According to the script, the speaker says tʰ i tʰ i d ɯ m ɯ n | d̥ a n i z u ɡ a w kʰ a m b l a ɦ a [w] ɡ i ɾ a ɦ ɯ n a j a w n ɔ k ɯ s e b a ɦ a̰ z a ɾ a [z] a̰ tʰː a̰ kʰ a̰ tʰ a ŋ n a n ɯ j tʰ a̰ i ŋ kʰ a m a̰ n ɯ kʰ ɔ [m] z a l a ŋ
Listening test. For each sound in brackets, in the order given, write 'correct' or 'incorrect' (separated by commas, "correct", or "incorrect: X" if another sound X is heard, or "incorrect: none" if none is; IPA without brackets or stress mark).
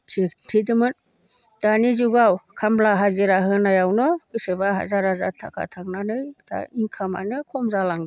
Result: incorrect: none, correct, correct